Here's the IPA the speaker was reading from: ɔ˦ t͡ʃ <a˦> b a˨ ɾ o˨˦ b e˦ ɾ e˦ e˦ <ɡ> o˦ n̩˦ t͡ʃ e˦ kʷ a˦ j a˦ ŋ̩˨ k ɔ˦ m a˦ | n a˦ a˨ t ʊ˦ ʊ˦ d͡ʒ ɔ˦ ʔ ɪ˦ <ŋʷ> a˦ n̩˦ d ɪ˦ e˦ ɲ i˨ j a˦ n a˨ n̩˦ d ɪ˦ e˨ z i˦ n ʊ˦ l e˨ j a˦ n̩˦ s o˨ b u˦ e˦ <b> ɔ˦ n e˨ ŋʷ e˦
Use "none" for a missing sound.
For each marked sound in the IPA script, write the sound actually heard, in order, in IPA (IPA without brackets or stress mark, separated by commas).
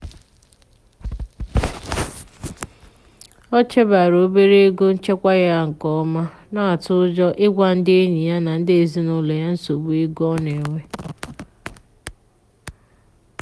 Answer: e˦, ɡ, ɡʷ, ɡ